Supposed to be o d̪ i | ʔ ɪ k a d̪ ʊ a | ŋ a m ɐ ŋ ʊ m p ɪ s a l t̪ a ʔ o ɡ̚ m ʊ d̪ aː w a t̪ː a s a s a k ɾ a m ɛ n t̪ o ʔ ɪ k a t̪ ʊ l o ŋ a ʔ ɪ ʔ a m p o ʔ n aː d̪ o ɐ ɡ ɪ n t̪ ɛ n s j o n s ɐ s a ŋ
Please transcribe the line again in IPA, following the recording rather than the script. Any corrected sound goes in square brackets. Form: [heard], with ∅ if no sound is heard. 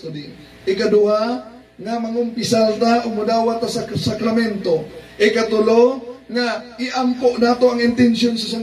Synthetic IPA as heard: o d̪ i | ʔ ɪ k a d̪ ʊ a | ŋ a m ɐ ŋ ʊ m p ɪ s a l t̪ a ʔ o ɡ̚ m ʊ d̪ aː w a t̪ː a s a s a k ɾ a m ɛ n t̪ o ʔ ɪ k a t̪ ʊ l o ŋ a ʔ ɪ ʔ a m p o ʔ n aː [t̪] o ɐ [ŋ] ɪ n t̪ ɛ n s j o n s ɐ s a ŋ

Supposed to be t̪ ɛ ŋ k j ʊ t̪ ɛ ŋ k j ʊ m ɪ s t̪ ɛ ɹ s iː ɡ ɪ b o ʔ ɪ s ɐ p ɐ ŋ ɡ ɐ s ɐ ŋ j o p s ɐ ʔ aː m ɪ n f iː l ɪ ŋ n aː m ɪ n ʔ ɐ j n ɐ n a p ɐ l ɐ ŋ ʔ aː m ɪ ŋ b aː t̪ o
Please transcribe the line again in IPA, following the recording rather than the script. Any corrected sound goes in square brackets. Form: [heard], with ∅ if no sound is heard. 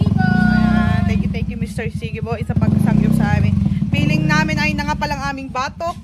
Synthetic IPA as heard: t̪ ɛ ŋ k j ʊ t̪ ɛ ŋ k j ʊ m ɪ s t̪ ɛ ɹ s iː ɡ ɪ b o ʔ ɪ s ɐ p ɐ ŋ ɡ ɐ s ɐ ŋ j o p s ɐ ʔ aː m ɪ n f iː l ɪ ŋ n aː m ɪ n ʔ ɐ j n ɐ [ŋ] a p ɐ l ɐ ŋ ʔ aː m ɪ ŋ b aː t̪ o

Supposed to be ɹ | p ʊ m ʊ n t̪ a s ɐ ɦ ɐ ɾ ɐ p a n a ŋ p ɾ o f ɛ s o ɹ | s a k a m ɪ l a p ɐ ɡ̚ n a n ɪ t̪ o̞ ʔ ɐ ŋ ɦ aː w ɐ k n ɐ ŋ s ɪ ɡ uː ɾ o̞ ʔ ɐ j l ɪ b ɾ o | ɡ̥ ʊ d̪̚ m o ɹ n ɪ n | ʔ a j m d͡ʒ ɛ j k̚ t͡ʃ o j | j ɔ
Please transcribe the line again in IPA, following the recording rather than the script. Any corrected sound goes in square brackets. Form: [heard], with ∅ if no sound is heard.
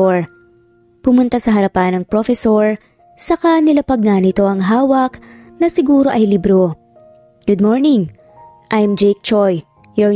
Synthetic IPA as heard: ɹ | p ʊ m ʊ n t̪ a s ɐ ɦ ɐ ɾ ɐ p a n [ɐ] ŋ p ɾ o f ɛ s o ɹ | s [ɐ] k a [n] ɪ l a p ɐ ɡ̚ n a n ɪ t̪ o̞ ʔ ɐ ŋ ɦ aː w ɐ k n ɐ [∅] s ɪ ɡ uː ɾ o̞ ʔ ɐ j l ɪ b ɾ o | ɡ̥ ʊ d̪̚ m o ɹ n ɪ [ŋ] | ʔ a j m d͡ʒ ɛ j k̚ t͡ʃ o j | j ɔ

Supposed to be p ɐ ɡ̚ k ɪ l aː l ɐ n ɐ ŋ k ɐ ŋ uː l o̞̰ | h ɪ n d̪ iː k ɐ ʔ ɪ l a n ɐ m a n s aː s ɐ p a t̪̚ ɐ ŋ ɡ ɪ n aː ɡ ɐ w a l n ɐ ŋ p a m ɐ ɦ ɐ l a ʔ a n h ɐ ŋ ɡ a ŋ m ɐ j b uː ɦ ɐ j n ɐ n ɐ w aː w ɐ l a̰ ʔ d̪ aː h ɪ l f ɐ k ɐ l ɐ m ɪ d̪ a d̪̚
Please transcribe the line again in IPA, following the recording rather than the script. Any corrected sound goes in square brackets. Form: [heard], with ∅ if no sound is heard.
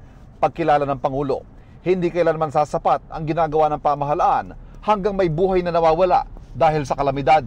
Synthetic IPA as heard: p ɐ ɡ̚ k ɪ l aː l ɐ n ɐ ŋ [p] ɐ ŋ uː l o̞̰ | h ɪ n d̪ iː k ɐ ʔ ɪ l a n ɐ m a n s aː s ɐ p a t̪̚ ɐ ŋ ɡ ɪ n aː ɡ ɐ w a [∅] n ɐ ŋ p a m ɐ ɦ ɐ l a ʔ a n h ɐ ŋ ɡ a ŋ m ɐ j b uː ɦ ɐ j n ɐ n ɐ w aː w ɐ l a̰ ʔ d̪ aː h ɪ l [s] ɐ k ɐ l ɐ m ɪ d̪ a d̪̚

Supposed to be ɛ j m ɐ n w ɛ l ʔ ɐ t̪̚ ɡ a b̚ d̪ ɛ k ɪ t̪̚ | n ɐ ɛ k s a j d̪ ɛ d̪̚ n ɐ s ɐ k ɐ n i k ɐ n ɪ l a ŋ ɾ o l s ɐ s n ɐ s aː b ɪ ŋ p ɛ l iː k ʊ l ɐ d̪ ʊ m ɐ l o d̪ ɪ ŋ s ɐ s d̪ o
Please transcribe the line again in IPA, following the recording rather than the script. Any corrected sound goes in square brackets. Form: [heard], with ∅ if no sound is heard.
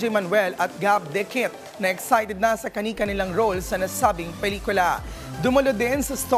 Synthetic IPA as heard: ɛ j m ɐ n w ɛ l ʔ ɐ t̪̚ ɡ a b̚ d̪ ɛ k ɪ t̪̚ | n ɐ ɛ k s a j [t̪] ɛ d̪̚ n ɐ s ɐ k ɐ n i k ɐ n ɪ l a ŋ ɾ o l s ɐ [∅] n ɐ s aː b ɪ ŋ p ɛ l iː k ʊ l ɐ d̪ ʊ m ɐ l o d̪ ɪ [n] s ɐ s [t̪] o

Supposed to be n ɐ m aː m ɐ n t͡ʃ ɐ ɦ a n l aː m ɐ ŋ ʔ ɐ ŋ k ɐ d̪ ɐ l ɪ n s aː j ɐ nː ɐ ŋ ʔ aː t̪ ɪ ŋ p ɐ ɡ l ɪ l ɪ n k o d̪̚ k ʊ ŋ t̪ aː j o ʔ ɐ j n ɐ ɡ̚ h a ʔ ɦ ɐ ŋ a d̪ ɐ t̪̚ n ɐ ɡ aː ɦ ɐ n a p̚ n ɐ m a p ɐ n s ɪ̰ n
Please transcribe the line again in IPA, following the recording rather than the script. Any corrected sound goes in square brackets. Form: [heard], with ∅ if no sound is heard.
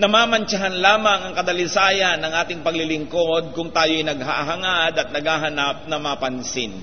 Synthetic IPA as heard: n ɐ m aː m ɐ n t͡ʃ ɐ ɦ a n l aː m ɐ ŋ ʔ ɐ ŋ k ɐ d̪ ɐ l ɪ [∅] s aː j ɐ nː ɐ ŋ ʔ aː t̪ ɪ ŋ p ɐ ɡ l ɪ l ɪ [ŋ] k o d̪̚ k ʊ ŋ t̪ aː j o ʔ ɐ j n ɐ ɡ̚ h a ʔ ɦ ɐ ŋ a d̪ ɐ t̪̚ n ɐ ɡ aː ɦ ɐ n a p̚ n ɐ m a p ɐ n s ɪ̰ n

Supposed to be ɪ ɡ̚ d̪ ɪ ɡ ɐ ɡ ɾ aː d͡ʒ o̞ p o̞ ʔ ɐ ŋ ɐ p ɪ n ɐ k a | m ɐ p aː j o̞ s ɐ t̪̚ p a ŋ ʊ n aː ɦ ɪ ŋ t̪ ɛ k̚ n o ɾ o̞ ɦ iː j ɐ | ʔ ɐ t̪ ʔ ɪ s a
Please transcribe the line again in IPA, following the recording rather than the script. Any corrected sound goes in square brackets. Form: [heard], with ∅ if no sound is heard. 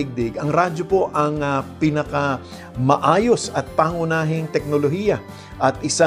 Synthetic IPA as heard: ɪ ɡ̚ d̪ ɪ ɡ ɐ [ŋ] ɾ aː d͡ʒ o̞ p o̞ ʔ ɐ ŋ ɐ p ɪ n ɐ k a | m ɐ [ʔ] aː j o̞ s ɐ t̪̚ p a ŋ ʊ n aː ɦ ɪ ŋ t̪ ɛ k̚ n o [l] o̞ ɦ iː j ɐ | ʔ ɐ t̪ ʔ ɪ s a

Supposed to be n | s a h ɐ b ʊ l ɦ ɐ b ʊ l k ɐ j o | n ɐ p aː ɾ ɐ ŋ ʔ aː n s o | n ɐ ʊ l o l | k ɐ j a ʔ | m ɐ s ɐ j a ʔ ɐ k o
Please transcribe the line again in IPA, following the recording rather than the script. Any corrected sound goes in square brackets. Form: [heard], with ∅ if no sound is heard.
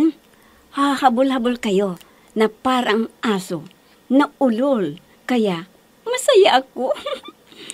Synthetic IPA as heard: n | [h] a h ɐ b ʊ l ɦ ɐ b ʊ l k ɐ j o | n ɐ p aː ɾ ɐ ŋ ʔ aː [∅] s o | n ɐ ʊ l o l | k ɐ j a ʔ | m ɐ s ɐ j a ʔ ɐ k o

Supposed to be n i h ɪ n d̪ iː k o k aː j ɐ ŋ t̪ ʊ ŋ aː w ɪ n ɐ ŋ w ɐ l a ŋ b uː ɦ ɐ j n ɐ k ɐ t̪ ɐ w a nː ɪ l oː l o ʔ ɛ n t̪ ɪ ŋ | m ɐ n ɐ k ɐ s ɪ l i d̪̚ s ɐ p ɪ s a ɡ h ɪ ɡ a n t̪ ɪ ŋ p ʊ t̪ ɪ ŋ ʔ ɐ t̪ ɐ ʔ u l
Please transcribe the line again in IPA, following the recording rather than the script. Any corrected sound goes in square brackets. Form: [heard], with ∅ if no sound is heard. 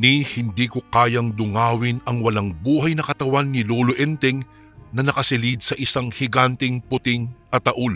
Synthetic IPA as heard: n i h ɪ n d̪ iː k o k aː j ɐ ŋ [d̪] ʊ ŋ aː w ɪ n ɐ ŋ w ɐ l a ŋ b uː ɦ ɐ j n ɐ k ɐ t̪ ɐ w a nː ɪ l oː l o ʔ ɛ n t̪ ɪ ŋ | [n] ɐ n ɐ k ɐ s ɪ l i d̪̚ s ɐ [ʔ] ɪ s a [ŋ] h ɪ ɡ a n t̪ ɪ ŋ p ʊ t̪ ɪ ŋ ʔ ɐ t̪ ɐ ʔ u l

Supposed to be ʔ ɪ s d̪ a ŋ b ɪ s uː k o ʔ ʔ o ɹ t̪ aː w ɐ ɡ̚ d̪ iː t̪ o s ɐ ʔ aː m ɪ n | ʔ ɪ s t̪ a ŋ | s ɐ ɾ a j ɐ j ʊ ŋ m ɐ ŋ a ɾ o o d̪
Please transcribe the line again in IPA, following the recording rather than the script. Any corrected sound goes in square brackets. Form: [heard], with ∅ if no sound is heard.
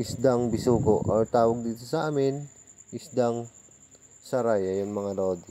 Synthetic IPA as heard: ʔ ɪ s d̪ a ŋ b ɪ s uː k o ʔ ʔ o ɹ t̪ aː w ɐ ɡ̚ d̪ iː t̪ o s ɐ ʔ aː m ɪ n | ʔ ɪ s [d̪] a ŋ | s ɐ ɾ a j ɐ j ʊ ŋ m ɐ ŋ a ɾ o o d̪

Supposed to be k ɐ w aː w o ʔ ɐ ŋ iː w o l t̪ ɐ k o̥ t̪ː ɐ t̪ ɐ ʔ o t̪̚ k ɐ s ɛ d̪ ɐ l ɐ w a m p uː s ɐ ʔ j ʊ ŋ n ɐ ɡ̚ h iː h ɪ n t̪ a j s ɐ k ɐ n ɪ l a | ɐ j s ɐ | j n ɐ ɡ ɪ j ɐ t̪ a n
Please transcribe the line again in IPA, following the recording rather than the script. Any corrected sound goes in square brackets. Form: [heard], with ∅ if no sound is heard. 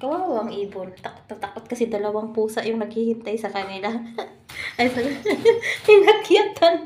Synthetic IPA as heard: k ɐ w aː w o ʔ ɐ ŋ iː [b] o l t̪ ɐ k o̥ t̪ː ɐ t̪ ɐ [k] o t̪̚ k ɐ s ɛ d̪ ɐ l ɐ w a [ŋ] p uː s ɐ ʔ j ʊ ŋ n ɐ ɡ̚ h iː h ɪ n t̪ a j s ɐ k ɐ n ɪ l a | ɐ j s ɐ | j n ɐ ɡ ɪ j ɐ t̪ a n

